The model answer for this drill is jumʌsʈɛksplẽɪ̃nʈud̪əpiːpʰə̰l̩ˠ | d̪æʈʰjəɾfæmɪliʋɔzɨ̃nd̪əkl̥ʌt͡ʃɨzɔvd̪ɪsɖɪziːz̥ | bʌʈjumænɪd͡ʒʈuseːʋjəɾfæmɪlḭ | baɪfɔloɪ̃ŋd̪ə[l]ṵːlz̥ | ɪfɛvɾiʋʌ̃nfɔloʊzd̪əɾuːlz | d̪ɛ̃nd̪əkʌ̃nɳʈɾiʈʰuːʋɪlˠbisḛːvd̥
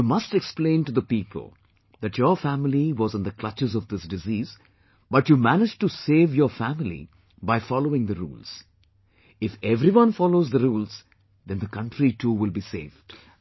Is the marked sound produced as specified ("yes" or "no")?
no